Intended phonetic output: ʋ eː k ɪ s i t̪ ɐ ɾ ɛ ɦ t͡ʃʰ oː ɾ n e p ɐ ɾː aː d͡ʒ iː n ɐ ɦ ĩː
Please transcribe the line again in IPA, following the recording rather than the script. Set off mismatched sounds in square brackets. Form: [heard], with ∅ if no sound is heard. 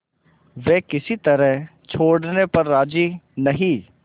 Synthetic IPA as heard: ʋ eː k ɪ s i t̪ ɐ ɾ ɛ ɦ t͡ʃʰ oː [ɽ] n e p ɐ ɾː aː d͡ʒ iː n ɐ ɦ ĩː

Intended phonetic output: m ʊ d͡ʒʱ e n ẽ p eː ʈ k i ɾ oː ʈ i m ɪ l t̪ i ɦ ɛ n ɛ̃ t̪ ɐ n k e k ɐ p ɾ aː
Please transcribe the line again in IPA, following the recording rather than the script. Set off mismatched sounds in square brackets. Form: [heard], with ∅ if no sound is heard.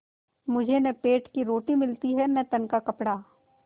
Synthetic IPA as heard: m ʊ d͡ʒʱ e n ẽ p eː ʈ k i ɾ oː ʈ i m ɪ l t̪ i ɦ ɛ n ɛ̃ t̪ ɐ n k [a] k ɐ p [ɽ] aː

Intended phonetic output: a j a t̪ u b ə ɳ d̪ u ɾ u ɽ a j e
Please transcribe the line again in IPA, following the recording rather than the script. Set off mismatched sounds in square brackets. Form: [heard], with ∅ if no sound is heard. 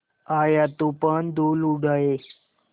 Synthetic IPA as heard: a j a t̪ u [p] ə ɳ d̪ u [l] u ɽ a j e

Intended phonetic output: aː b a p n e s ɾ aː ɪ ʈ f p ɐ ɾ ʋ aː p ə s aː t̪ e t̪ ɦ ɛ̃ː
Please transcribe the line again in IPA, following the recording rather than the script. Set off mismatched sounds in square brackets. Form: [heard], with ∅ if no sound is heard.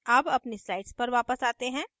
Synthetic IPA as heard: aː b [ɐ] p n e s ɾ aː ɪ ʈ [s] p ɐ ɾ ʋ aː p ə s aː t̪ e [∅] ɦ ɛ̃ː

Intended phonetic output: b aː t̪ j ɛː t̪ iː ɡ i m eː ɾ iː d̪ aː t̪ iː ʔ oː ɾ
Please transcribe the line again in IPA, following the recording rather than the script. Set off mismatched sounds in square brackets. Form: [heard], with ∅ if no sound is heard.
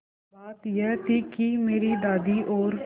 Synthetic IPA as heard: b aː t̪ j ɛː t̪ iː [k] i m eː ɾ iː d̪ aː [d̪] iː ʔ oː ɾ

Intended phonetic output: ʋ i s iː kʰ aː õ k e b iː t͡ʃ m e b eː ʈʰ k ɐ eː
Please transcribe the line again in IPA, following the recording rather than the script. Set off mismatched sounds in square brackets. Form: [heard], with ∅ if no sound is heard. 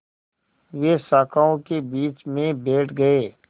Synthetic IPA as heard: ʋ [e] s [aː] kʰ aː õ k e b iː t͡ʃ m [ẽ] b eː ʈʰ [ɡ] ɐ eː

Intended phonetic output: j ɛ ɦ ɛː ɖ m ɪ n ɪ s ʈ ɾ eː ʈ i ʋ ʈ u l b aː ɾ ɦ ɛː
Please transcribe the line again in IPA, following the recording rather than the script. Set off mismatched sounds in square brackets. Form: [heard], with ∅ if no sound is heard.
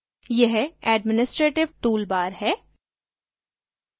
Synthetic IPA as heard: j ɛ ɦ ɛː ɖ m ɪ n ɪ s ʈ ɾ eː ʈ [ɪ] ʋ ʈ [uː] l b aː ɾ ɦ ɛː

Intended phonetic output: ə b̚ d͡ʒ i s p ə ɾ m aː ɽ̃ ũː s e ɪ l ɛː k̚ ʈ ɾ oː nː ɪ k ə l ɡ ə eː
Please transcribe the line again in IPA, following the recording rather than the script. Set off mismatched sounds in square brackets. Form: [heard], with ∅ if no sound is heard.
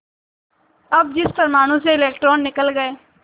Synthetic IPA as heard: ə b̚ d͡ʒ [ɪ] s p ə ɾ m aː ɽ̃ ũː s e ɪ l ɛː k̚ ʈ ɾ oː nː ɪ k ə l ɡ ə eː

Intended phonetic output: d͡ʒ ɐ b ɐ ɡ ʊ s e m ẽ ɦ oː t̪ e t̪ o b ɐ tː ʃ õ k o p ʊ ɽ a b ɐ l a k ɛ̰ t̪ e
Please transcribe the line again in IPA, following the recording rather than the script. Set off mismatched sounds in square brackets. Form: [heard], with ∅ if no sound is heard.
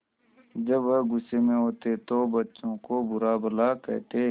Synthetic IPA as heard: d͡ʒ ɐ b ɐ ɡ ʊ s e m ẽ ɦ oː t̪ e t̪ o b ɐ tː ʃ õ k o [b] ʊ [ɾ] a b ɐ l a k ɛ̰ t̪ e

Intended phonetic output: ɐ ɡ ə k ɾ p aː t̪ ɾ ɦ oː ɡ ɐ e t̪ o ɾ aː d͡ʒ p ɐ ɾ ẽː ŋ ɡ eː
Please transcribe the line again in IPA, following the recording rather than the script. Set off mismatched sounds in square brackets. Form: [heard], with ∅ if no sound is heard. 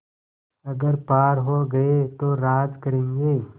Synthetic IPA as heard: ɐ ɡ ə [∅] ɾ p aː [∅] ɾ ɦ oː ɡ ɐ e t̪ o ɾ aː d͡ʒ [k] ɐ ɾ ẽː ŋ ɡ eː

